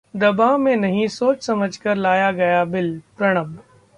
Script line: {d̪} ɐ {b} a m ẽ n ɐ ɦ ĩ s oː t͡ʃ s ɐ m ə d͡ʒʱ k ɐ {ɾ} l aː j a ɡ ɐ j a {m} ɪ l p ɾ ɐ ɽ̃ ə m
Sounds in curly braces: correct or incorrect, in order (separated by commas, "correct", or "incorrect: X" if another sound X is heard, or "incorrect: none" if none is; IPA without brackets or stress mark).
correct, correct, correct, incorrect: b